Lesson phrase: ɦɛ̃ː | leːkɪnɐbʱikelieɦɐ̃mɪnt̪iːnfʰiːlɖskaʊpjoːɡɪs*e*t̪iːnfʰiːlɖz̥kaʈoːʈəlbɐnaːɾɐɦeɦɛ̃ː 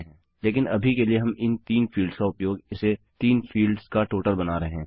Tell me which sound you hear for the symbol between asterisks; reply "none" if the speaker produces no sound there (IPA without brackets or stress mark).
e